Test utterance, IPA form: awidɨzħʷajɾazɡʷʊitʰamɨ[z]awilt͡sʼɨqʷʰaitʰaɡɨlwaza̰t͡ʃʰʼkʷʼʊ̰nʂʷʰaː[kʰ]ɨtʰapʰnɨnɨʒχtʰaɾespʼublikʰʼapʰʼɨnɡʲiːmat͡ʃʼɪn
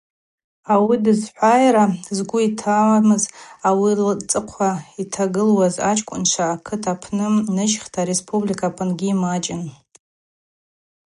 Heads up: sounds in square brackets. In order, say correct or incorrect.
correct, correct

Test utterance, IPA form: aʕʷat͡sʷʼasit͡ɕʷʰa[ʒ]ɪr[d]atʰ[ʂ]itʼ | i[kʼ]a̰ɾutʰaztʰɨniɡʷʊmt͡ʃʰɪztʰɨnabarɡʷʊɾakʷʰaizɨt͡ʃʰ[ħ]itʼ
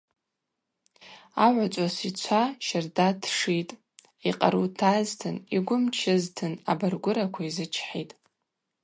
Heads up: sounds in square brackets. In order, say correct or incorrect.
incorrect: ʃ, correct, correct, incorrect: qʼ, correct

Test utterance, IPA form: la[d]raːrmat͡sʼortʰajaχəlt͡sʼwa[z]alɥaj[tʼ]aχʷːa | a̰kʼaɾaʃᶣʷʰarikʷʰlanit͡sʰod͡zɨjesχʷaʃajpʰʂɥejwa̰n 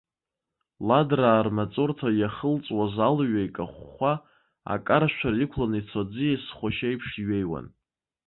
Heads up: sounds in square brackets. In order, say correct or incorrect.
correct, correct, incorrect: kʼ

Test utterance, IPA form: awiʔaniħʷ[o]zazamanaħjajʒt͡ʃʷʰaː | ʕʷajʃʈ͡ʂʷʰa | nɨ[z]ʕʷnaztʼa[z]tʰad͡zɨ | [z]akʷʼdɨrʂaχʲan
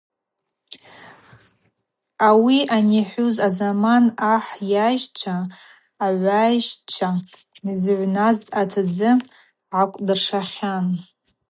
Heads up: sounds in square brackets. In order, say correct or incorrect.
incorrect: u, correct, incorrect: none, incorrect: ʕ

